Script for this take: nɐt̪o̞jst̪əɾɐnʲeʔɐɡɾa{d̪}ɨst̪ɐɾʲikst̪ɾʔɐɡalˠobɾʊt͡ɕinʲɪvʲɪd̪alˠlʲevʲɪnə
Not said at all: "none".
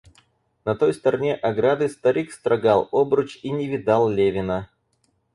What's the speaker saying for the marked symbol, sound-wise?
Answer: d̪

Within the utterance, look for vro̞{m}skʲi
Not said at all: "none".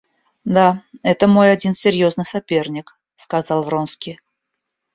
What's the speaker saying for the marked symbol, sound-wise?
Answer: n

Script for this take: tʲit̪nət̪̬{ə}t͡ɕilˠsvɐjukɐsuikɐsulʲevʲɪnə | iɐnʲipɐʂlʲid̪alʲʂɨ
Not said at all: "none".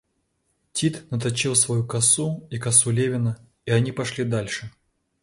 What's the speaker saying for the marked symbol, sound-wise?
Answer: ɐ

